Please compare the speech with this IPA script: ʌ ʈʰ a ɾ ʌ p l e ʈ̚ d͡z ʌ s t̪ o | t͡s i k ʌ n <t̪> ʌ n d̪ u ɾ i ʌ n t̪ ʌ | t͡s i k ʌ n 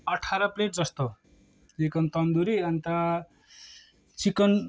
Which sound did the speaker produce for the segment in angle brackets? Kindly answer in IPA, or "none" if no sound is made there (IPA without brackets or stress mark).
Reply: t̪